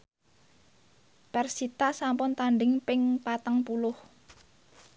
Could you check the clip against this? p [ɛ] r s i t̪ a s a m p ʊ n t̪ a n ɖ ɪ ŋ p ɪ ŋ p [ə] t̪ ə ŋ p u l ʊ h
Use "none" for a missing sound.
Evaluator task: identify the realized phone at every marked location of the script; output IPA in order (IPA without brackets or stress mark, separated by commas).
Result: ɛ, a